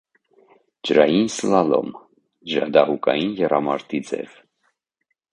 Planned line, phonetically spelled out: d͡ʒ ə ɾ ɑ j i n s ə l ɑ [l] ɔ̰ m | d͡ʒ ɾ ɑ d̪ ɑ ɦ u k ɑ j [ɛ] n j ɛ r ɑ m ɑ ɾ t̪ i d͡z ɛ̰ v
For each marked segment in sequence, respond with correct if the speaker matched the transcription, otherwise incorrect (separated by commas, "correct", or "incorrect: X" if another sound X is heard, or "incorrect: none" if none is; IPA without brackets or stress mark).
correct, incorrect: i